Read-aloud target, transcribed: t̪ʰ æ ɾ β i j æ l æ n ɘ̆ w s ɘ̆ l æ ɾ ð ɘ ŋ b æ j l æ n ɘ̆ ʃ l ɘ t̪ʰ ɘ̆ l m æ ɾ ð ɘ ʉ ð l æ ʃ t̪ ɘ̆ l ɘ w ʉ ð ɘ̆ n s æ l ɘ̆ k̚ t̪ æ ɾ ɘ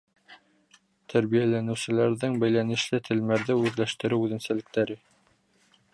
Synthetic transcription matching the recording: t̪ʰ æ ɾ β i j æ l æ n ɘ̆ w s ɘ̆ l æ ɾ ð ɘ ŋ b æ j l æ n ɘ̆ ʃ l ɘ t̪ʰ ɘ̆ l m æ ɾ ð ɘ ʉ ð l æ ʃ t̪ ɘ̆ ɾ ɘ w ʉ ð ɘ̆ n s æ l ɘ̆ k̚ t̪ æ ɾ ɘ

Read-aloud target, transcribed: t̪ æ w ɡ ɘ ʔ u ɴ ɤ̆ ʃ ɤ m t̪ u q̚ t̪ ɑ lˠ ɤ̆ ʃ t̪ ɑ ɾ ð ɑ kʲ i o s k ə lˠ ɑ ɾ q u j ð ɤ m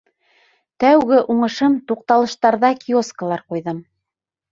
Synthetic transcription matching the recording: t̪ æ w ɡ ɘ ʔ u ɴ ɤ̆ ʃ ɤ m t̪ u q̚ t̪ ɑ lˠ ɤ̆ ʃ t̪ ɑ ɾ ð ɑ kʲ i o s k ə lˠ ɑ ɾ q u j ð ɤ m

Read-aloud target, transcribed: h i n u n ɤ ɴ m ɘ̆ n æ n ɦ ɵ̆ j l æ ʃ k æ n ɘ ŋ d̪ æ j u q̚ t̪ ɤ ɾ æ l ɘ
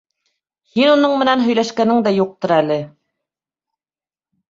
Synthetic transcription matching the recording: h i n u n ɤ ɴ m ɘ̆ n æ n ɦ ɵ̆ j l æ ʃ k æ n ɘ ŋ d̪ æ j u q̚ t̪ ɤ ɾ æ l ɘ

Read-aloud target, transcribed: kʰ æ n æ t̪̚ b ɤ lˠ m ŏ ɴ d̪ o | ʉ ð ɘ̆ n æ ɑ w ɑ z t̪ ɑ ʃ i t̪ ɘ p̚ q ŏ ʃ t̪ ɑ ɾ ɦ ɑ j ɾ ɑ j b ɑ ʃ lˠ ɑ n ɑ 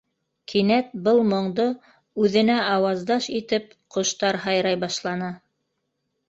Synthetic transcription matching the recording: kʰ i n æ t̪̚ b ɤ lˠ m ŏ ɴ d̪ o | ʉ ð ɘ̆ n æ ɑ w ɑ z d̪ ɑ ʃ i t̪ ɘ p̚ q ŏ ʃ t̪ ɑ ɾ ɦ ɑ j ɾ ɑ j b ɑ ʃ lˠ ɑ n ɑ

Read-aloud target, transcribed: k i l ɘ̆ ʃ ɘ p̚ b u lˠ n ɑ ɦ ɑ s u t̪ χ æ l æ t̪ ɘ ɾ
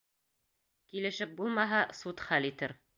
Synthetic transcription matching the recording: k i l ɘ̆ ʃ ɘ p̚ b u lˠ m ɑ ɦ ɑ s u t̪ χ æ l i t̪ ɘ ɾ

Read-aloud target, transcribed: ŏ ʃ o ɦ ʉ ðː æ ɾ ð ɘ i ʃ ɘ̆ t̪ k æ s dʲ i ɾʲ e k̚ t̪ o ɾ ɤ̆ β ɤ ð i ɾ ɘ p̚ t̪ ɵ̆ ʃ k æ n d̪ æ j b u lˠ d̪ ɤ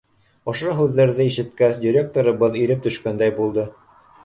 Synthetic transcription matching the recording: ŏ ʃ o ɦ ʉ ðː æ ɾ ð ɘ i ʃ ɘ̆ t̪ k æ s dʲ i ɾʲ e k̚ t̪ o ɾ ɤ̆ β ɤ ð i ɾ ɘ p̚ t̪ ɵ̆ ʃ k æ n d̪ æ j b u lˠ d̪ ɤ

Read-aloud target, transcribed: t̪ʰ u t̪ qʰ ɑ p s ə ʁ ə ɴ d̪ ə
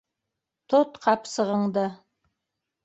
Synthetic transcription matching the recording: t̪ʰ o t̪ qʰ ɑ p s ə ʁ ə ɴ d̪ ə

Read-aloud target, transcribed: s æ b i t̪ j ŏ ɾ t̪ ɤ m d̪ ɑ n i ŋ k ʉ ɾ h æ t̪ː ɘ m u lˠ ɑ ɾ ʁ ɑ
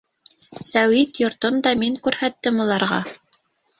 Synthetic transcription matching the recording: s æ w i t̪ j ŏ ɾ t̪ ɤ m d̪ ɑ m i ŋ k ʉ ɾ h æ t̪ː ɘ m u lˠ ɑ ɾ ʁ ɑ

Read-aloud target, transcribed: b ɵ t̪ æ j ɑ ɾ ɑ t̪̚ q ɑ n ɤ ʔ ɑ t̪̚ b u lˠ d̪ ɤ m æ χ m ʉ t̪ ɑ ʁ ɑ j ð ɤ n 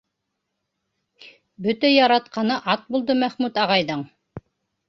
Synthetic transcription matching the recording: b ɵ t̪ æ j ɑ ɾ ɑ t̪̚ q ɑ n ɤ ʔ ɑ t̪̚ b u lˠ d̪ ɤ m æ χ m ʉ t̪ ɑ ʁ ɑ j ð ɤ ɴ

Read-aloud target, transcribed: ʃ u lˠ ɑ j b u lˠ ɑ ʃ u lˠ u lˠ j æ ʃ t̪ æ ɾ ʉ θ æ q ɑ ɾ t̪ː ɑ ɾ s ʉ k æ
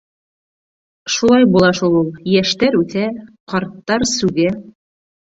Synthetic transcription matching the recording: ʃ u lˠ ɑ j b u lˠ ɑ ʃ u lˠ u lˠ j æ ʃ t̪ æ ɾ ʉ θ æ q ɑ ɾ t̪ː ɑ ɾ s ʉ ɡ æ

